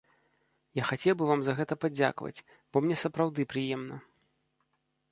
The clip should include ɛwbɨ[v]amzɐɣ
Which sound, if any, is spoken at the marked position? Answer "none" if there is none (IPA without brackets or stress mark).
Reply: v